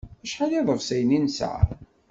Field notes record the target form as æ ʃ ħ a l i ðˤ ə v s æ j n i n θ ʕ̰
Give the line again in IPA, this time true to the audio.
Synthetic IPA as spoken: æ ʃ ħ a l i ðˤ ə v s æ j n i n s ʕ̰